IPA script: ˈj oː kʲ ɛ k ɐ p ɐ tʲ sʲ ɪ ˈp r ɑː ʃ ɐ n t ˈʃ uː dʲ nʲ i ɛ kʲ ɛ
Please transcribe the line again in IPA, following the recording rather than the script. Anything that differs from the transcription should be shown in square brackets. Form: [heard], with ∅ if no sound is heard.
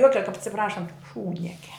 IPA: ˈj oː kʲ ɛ k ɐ p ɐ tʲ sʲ ɪ ˈp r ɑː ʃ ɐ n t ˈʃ uː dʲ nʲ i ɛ kʲ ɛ